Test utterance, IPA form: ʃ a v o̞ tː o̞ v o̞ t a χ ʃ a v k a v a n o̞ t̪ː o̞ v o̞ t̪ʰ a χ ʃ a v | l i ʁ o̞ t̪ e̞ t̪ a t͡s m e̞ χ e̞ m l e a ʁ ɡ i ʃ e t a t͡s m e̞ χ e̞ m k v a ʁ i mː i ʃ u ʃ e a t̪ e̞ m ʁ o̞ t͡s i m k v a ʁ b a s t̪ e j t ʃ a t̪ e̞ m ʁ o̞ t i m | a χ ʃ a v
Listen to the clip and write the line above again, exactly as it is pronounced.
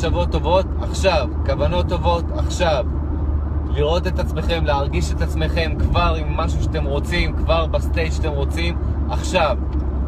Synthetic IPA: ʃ a v o̞ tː o̞ v o̞ t a χ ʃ a v k a v a n o̞ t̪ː o̞ v o̞ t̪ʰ a χ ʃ a v | l i ʁ o̞ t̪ e̞ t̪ a t͡s m e̞ χ e̞ m l e a ʁ ɡ i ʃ e t a t͡s m e̞ χ e̞ m k v a ʁ i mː a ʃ u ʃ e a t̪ e̞ m ʁ o̞ t͡s i m k v a ʁ b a s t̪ e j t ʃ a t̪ e̞ m ʁ o̞ t͡s i m | a χ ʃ a v